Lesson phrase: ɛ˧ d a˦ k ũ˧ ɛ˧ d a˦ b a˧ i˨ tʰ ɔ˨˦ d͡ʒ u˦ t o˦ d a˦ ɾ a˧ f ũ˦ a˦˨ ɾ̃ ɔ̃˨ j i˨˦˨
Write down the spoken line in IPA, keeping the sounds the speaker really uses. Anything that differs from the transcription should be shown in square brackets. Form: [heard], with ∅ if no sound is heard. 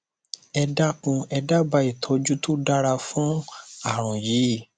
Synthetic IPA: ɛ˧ d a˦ k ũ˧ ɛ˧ d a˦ b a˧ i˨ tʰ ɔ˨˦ d͡ʒ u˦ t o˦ d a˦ ɾ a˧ f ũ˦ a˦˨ ɾ̃ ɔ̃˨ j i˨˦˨